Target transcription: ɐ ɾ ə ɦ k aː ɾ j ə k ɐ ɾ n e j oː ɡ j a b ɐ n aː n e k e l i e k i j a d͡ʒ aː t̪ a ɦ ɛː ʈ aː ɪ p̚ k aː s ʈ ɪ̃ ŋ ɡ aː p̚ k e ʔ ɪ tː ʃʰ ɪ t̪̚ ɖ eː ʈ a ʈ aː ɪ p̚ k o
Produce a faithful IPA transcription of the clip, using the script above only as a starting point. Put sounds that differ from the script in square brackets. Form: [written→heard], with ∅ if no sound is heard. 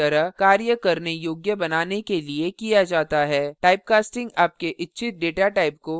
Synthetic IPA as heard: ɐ ɾ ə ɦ k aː ɾ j ə k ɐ ɾ n e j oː ɡ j [a→ə] b ɐ n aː n e k e l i e k i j a d͡ʒ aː t̪ a ɦ ɛː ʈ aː ɪ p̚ k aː s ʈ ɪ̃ ŋ ɡ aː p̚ k e ʔ ɪ tː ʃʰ ɪ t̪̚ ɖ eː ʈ a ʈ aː ɪ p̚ k o